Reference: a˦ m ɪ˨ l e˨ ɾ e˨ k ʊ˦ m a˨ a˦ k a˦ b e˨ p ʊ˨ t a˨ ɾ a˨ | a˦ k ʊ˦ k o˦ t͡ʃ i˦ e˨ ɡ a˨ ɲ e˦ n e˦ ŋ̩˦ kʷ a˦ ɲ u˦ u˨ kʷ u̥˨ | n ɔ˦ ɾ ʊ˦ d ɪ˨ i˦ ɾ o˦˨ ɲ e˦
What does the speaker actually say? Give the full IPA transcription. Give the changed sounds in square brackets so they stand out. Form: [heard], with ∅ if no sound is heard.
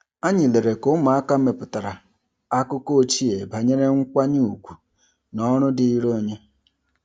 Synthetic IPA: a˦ [ɲ] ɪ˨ l e˨ ɾ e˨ k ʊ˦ m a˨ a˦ k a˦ [m] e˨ p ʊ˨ t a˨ ɾ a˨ | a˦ k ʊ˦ k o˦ t͡ʃ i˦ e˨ [b] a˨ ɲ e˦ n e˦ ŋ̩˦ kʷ a˦ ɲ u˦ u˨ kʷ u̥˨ | n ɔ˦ ɾ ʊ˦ d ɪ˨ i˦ ɾ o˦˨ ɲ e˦